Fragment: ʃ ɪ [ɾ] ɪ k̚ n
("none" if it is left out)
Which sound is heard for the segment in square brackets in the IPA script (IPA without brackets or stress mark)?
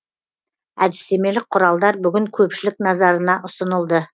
l